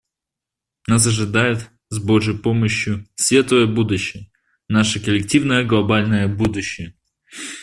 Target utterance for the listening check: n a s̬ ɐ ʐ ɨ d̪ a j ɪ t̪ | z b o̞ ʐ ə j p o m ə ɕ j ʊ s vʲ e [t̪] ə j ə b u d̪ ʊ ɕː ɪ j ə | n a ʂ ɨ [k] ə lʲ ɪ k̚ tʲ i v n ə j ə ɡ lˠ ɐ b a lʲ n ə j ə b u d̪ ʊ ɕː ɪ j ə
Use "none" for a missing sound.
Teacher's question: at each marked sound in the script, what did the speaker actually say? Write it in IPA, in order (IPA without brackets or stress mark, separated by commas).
t̪, k